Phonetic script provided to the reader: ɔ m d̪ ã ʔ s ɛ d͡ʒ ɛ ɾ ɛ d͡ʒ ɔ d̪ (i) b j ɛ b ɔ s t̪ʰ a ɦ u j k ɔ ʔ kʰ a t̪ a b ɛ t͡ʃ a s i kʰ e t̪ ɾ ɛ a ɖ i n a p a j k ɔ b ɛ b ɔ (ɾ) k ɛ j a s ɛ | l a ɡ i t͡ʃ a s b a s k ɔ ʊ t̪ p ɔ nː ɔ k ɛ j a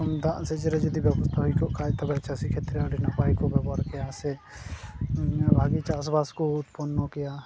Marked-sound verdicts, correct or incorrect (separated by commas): correct, correct